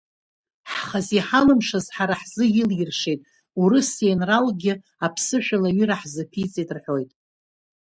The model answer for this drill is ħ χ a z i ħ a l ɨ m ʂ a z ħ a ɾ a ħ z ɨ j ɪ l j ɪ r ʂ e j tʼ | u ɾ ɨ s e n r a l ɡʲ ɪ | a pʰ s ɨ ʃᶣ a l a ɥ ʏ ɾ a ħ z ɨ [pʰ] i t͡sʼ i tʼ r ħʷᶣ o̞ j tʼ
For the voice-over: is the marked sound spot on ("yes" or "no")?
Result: yes